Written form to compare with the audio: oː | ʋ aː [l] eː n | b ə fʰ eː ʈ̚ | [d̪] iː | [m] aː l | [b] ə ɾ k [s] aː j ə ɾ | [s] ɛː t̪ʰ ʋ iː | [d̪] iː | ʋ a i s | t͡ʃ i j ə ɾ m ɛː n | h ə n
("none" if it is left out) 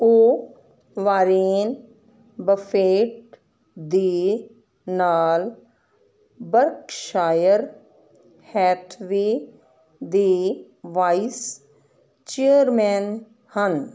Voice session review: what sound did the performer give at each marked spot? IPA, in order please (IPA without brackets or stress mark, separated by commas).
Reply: ɾ, d̪, n, b, ʃ, h, d̪